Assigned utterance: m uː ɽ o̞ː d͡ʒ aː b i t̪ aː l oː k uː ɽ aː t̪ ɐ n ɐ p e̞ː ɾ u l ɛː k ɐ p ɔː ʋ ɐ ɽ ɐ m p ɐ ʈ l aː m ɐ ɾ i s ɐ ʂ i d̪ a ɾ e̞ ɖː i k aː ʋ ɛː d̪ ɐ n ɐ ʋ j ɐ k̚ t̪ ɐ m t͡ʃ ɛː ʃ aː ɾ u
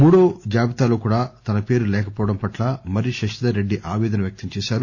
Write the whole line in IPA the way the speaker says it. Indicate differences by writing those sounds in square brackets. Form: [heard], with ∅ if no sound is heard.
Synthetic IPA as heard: m uː ɽ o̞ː d͡ʒ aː b i t̪ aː l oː k uː ɽ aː t̪ ɐ n ɐ p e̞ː ɾ u l ɛː k ɐ p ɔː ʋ ɐ ɽ ɐ m p ɐ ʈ l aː m ɐ ɾ i [ʃ] ɐ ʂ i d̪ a ɾ e̞ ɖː i [ʔ] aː ʋ ɛː d̪ ɐ n ɐ ʋ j ɐ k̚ t̪ ɐ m t͡ʃ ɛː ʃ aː ɾ u